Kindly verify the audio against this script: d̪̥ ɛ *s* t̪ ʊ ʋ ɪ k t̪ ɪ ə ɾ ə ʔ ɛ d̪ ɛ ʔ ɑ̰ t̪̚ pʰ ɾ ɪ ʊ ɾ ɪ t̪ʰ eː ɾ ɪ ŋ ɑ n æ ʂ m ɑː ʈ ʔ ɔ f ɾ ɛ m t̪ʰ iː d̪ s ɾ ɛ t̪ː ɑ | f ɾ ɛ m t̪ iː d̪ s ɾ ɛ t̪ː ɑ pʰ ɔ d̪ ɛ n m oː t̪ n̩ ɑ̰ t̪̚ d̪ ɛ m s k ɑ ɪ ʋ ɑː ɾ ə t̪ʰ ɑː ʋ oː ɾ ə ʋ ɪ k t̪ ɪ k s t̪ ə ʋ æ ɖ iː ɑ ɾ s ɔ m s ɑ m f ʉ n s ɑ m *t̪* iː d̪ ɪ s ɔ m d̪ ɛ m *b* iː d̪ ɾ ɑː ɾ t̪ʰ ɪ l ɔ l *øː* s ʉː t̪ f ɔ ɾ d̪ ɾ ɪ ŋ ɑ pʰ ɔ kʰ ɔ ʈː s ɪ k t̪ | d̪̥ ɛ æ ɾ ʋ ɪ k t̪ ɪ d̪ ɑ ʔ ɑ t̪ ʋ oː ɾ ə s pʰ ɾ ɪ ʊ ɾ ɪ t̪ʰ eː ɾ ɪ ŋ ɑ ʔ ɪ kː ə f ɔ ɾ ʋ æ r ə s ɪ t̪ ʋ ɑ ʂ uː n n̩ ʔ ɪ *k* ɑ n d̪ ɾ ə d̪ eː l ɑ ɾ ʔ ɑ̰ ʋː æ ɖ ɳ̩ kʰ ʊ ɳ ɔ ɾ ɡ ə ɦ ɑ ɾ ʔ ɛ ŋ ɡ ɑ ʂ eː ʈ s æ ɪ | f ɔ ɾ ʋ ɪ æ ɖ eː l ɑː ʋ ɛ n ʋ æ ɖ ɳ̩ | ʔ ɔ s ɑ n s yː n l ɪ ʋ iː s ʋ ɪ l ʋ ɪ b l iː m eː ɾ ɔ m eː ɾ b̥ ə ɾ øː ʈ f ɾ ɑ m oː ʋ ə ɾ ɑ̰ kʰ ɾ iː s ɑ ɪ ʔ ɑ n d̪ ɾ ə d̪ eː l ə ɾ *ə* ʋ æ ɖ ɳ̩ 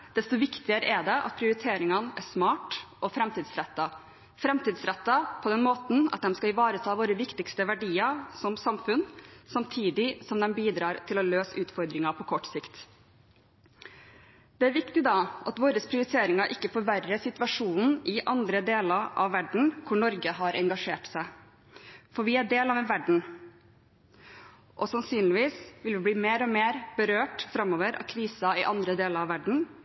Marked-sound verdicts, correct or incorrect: correct, incorrect, correct, correct, incorrect, incorrect

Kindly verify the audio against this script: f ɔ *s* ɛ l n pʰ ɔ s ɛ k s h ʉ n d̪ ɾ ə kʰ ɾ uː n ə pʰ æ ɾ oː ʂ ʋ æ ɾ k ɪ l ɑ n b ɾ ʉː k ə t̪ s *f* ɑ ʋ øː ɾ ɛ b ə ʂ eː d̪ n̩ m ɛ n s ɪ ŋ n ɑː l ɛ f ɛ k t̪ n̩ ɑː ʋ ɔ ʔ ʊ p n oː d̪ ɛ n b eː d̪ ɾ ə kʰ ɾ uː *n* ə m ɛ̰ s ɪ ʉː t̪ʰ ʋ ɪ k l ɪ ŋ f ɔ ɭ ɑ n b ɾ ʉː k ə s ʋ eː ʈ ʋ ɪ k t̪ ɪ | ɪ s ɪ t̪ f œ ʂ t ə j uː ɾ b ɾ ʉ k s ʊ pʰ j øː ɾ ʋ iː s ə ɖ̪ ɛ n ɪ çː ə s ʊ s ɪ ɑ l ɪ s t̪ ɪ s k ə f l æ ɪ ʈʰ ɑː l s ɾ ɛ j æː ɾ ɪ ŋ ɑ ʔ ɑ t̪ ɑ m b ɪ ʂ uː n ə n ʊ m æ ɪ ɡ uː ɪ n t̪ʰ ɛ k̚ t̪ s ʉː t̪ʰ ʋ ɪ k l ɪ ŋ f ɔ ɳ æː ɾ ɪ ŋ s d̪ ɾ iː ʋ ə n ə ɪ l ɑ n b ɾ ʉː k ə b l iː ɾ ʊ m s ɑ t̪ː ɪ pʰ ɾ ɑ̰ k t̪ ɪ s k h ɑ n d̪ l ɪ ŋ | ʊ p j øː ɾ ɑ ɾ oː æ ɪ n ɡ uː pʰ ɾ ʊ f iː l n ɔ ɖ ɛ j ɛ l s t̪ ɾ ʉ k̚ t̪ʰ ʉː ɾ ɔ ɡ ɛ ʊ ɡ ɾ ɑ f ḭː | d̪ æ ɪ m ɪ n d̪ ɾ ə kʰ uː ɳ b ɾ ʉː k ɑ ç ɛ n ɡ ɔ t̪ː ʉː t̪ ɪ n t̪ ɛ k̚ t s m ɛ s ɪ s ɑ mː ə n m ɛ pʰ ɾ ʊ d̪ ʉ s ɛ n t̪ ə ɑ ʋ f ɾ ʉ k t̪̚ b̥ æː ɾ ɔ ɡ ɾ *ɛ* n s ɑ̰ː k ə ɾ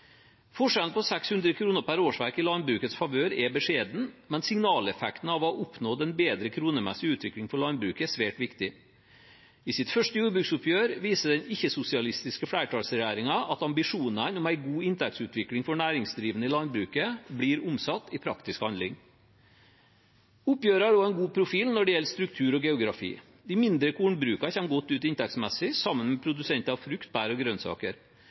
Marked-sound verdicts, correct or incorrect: incorrect, correct, correct, incorrect

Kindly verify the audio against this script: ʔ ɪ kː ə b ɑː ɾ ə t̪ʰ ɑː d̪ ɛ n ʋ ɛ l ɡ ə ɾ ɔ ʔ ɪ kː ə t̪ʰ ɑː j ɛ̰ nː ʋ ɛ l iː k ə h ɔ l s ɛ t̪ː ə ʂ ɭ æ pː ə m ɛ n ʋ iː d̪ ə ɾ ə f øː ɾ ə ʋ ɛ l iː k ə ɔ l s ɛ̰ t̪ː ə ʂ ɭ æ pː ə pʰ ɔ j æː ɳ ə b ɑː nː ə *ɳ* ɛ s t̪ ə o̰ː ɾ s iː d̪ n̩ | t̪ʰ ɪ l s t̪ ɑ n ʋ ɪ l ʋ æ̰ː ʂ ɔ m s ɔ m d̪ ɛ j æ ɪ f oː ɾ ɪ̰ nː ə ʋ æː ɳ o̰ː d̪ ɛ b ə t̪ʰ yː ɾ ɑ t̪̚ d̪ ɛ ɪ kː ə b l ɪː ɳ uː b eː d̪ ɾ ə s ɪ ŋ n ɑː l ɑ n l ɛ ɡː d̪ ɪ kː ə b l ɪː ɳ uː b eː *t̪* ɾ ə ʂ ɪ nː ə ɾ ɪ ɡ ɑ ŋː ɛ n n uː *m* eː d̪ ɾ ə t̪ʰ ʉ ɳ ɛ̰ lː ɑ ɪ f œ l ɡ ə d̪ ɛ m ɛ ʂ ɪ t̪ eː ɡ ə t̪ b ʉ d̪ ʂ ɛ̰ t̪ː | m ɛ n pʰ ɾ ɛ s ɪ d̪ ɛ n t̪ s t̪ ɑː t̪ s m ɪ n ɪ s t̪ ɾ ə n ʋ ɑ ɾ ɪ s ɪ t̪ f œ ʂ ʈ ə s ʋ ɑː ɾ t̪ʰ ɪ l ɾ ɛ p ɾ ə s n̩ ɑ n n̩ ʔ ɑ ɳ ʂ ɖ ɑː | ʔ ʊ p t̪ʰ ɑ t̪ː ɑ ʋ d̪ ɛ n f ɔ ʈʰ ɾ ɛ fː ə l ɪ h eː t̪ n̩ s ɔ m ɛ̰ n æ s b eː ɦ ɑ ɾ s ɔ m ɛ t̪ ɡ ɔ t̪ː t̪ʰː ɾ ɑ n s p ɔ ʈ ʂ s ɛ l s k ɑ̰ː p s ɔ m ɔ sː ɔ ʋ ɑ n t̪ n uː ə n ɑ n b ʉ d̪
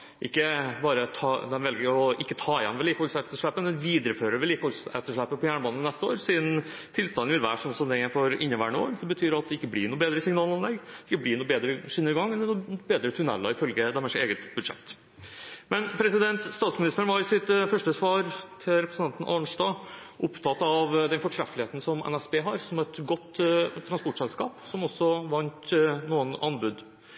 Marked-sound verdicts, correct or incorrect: incorrect, incorrect, incorrect

